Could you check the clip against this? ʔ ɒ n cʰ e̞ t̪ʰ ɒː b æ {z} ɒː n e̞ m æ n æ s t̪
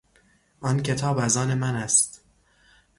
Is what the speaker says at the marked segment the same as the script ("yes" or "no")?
yes